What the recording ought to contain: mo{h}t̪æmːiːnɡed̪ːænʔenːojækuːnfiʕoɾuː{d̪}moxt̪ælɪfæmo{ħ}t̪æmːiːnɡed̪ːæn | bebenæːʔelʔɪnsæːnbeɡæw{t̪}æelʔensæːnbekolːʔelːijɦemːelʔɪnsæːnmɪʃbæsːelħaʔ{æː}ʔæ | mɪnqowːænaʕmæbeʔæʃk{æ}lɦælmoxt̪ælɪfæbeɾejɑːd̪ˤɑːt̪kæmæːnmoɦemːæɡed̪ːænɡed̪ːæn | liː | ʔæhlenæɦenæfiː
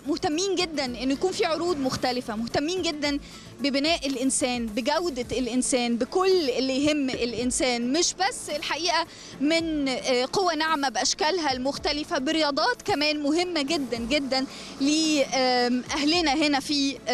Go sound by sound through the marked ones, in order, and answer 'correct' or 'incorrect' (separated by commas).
correct, correct, incorrect, incorrect, incorrect, correct